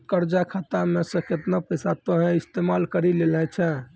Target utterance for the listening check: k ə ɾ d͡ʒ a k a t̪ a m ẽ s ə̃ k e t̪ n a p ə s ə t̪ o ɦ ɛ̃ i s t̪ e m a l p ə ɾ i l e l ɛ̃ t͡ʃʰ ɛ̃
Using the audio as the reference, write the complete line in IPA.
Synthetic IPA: k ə ɾ d͡ʒ a kʰ a t̪ a m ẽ s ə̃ k e t̪ n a p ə s a t̪ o ɦ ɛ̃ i s t̪ e m a l k ə ɾ i l e l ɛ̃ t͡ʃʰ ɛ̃